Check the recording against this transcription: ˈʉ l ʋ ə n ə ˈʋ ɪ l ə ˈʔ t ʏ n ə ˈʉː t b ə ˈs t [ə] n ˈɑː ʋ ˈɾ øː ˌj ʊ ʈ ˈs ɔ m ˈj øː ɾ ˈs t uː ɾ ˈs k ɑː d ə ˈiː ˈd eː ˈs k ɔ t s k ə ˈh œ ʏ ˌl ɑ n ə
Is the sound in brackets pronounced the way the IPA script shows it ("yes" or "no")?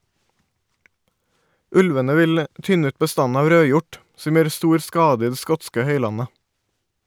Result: no